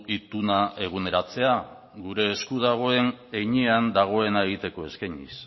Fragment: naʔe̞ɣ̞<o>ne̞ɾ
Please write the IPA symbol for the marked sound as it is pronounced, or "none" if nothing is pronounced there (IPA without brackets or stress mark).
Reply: u